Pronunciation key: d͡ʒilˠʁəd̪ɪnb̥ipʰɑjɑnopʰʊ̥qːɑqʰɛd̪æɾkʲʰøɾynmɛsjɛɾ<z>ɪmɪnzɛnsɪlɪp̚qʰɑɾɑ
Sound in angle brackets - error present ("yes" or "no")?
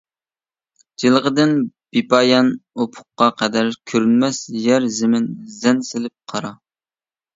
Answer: no